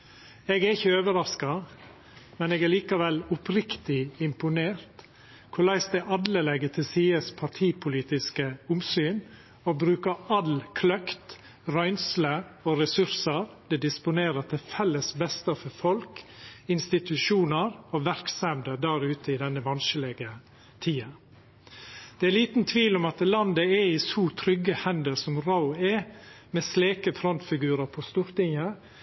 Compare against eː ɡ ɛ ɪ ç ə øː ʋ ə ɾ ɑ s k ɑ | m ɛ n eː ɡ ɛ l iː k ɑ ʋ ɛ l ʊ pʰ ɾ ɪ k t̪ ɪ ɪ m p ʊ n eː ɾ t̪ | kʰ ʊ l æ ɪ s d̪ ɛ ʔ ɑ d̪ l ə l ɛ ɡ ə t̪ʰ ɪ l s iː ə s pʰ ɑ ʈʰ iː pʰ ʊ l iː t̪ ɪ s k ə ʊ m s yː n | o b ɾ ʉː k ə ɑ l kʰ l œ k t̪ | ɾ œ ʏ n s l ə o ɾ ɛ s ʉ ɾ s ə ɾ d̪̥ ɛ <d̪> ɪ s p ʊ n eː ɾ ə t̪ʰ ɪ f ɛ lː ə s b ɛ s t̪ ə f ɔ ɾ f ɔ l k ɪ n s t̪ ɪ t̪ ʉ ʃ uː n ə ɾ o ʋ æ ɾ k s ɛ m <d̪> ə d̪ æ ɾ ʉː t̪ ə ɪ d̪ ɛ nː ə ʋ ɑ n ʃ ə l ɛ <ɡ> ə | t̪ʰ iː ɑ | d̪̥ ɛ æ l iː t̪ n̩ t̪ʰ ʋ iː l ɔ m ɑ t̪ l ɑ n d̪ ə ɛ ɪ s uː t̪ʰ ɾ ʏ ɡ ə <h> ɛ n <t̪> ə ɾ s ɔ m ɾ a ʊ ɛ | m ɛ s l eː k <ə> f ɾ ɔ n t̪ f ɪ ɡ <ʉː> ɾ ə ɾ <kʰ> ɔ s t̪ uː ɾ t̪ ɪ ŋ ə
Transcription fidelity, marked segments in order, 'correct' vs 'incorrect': correct, correct, correct, correct, incorrect: d̪, correct, correct, incorrect: pʰ

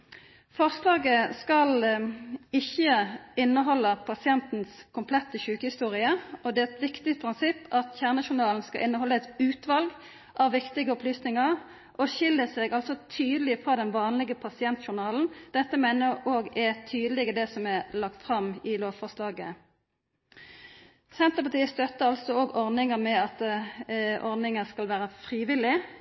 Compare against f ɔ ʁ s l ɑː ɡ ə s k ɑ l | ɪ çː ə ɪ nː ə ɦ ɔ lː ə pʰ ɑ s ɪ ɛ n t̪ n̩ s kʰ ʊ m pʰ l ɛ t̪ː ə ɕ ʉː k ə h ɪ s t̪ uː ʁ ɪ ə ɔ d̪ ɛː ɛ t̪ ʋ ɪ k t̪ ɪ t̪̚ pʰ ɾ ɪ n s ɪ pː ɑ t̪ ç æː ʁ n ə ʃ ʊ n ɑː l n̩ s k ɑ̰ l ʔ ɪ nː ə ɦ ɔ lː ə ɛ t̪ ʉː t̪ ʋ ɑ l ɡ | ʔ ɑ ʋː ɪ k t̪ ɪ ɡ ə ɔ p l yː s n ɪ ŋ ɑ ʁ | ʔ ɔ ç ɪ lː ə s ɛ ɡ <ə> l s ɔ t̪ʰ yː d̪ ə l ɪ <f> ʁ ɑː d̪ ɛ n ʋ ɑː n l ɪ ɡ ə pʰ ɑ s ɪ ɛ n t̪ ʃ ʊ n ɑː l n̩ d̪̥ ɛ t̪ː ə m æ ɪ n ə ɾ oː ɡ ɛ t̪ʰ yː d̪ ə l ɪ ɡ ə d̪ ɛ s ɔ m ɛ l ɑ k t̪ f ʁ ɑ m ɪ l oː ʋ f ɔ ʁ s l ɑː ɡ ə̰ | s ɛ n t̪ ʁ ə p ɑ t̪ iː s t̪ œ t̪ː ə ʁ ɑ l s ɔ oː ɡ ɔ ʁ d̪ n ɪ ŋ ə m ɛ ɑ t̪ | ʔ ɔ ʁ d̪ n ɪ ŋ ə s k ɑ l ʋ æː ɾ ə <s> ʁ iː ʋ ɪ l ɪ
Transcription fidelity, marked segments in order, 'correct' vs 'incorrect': incorrect: ɑ, correct, incorrect: f

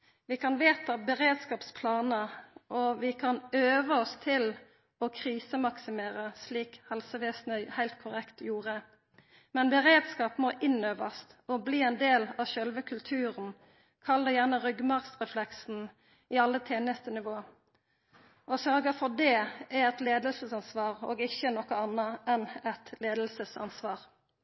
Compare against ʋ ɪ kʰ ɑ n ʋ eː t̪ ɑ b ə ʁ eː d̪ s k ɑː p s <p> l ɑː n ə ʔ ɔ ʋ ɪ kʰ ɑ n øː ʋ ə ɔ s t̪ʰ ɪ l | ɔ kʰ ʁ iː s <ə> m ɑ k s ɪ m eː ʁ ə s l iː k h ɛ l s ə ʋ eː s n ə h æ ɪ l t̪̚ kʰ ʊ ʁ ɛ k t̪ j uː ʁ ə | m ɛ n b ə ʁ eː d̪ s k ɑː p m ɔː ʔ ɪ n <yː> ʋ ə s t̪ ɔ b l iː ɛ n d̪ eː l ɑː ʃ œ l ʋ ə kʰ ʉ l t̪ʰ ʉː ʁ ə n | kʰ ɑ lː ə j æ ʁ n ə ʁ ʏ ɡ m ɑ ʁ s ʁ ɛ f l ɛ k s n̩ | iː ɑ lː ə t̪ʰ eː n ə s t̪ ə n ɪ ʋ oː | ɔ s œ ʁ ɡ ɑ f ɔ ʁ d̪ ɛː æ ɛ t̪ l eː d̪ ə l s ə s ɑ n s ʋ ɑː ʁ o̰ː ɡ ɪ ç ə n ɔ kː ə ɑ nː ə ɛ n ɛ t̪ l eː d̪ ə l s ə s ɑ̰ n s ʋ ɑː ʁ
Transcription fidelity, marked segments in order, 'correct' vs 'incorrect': incorrect: pʰ, correct, incorrect: øː

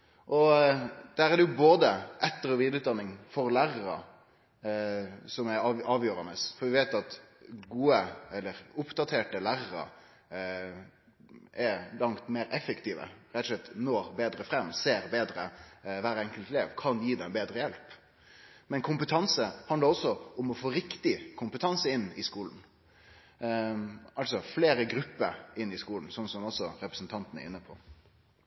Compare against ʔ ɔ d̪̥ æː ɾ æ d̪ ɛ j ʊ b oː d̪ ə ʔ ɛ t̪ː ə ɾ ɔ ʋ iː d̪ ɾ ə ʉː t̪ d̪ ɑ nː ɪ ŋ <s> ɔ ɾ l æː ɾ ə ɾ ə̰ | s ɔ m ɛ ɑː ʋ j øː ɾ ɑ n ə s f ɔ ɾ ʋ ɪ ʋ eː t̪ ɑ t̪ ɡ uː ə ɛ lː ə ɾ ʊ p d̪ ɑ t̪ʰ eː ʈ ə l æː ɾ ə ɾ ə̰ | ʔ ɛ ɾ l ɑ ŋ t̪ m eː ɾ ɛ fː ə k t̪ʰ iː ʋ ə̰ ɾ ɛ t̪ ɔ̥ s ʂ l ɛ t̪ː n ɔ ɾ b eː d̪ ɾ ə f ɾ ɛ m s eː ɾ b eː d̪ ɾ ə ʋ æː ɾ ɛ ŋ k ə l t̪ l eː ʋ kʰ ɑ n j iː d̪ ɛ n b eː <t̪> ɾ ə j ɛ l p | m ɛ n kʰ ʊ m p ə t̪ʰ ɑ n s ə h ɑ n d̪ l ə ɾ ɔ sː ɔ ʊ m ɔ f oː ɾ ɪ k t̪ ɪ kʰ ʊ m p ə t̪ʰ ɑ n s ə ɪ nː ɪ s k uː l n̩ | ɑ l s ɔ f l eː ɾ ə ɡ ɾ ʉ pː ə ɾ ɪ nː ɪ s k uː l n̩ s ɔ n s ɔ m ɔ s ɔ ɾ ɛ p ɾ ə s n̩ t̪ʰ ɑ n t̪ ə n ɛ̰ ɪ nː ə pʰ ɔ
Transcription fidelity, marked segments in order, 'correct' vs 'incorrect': incorrect: f, incorrect: d̪

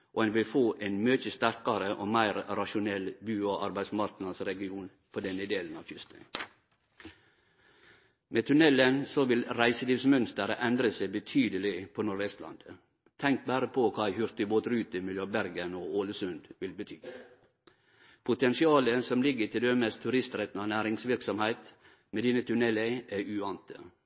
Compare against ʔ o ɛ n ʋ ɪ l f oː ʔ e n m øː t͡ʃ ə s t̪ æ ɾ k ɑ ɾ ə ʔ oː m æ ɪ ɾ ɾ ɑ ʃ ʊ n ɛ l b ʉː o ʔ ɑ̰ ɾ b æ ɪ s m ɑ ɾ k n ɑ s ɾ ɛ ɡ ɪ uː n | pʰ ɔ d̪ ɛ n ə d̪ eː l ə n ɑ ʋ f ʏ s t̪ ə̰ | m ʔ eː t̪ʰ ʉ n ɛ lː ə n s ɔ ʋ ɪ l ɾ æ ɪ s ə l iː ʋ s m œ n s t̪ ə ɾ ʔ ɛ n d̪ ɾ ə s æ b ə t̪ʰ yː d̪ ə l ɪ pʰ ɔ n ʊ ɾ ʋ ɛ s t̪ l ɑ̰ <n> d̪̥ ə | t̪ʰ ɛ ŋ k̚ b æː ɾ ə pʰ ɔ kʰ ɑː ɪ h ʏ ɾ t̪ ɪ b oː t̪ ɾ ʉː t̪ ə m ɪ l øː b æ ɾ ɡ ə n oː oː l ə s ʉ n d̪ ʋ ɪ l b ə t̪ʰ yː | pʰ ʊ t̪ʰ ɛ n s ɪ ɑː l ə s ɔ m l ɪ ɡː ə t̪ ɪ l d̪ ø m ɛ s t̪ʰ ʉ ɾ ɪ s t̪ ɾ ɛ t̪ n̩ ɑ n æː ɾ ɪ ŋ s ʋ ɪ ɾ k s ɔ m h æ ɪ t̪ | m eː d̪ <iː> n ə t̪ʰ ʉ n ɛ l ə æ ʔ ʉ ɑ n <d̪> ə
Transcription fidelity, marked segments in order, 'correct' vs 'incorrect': correct, correct, incorrect: t̪

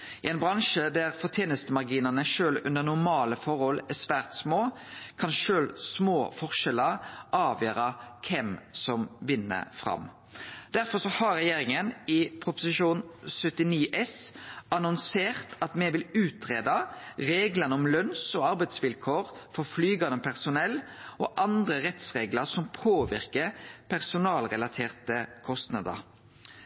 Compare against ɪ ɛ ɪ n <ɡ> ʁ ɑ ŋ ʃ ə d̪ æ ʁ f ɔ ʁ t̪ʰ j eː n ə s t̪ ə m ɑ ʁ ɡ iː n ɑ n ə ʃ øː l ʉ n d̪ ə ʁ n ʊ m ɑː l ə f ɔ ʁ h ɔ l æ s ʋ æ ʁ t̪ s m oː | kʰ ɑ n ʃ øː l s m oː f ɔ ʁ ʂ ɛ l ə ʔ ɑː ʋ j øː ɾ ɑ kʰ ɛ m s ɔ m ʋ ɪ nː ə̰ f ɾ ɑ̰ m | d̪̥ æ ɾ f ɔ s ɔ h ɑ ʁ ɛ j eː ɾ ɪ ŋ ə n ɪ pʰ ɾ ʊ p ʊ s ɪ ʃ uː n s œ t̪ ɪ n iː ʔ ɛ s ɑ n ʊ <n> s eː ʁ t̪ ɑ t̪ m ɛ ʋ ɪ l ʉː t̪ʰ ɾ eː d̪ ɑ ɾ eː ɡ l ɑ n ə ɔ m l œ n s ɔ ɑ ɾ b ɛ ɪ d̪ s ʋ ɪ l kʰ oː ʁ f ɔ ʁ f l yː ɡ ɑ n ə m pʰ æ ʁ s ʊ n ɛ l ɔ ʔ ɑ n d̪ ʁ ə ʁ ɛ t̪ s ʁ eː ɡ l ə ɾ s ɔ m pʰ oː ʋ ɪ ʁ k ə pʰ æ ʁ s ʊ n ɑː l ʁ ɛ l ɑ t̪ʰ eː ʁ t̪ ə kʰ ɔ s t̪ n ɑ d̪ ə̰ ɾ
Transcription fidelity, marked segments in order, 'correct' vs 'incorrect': incorrect: b, correct

